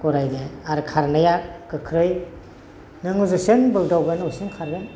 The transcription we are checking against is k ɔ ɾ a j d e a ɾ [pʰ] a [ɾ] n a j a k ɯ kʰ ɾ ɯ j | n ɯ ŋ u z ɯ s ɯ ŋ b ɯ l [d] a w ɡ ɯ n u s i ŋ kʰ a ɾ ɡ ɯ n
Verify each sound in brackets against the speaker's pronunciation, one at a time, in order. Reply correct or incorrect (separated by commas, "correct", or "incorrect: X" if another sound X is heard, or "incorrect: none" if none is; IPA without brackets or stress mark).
incorrect: kʰ, correct, correct